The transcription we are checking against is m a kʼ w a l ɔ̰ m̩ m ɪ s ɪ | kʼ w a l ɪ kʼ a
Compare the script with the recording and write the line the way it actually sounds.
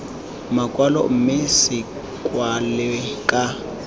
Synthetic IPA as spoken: m a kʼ w a l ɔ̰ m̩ m ɪ s ɪ | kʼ w a l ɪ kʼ a